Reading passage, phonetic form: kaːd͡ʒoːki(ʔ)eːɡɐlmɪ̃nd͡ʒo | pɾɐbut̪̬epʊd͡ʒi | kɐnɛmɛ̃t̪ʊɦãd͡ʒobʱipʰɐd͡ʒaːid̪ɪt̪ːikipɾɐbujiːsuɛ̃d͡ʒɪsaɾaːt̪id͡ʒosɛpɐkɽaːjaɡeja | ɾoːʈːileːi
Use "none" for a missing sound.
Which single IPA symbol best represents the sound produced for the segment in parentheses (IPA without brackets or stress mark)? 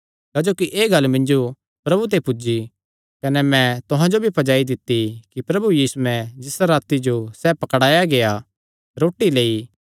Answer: ʔ